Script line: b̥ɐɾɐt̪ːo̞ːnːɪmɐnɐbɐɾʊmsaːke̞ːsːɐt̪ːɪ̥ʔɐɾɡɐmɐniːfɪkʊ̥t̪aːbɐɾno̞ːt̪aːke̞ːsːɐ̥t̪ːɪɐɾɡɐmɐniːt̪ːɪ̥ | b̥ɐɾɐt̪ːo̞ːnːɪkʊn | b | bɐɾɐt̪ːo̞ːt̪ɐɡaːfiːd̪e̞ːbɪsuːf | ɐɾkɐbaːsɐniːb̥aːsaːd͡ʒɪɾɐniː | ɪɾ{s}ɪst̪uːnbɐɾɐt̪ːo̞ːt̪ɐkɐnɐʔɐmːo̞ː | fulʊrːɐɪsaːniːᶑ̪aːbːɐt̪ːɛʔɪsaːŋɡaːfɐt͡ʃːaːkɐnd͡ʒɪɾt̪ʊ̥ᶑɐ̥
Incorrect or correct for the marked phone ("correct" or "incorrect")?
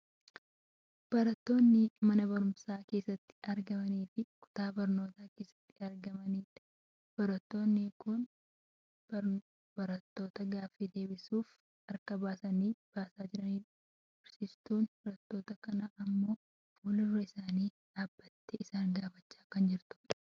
correct